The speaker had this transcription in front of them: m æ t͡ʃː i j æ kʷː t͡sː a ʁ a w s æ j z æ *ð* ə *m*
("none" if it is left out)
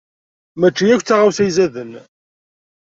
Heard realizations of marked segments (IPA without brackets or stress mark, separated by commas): ð, n